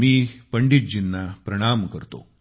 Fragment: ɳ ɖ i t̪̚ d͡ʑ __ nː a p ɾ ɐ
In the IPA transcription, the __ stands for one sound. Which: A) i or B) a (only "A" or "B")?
A